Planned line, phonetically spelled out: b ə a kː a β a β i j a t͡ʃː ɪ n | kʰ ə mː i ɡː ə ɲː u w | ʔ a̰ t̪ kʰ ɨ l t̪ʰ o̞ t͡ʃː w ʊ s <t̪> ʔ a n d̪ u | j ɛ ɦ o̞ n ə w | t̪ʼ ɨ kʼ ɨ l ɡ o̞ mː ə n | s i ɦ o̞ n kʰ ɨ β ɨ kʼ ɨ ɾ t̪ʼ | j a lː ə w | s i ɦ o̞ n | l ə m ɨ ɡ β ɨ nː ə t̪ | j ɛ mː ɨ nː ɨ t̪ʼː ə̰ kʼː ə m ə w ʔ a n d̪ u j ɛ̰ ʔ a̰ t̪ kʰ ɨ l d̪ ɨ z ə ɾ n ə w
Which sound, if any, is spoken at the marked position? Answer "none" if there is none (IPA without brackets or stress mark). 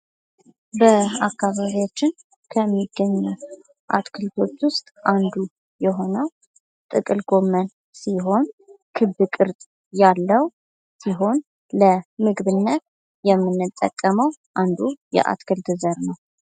t̪ʼ